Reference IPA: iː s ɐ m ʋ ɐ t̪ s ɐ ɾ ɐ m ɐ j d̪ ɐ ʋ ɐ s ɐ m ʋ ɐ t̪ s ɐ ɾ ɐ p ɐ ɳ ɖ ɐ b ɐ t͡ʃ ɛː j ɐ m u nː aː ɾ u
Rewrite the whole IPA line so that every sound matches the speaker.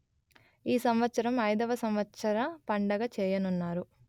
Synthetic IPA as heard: iː s ɐ m ʋ ɐ t̪ s ɐ ɾ ɐ m ɐ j d̪ ɐ ʋ ɐ s ɐ m ʋ ɐ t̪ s ɐ ɾ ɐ p ɐ ɳ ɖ ɐ ɡ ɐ t͡ʃ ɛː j ɐ n u nː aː ɾ u